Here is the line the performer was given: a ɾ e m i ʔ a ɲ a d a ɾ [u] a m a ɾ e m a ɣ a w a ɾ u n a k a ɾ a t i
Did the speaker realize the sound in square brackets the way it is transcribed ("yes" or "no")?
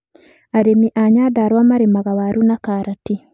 no